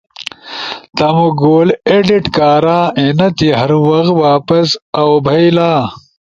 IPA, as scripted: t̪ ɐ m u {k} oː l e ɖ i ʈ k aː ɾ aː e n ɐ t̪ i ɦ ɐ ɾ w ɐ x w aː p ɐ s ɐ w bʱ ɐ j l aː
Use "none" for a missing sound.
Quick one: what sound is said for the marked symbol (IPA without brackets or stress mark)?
ɡ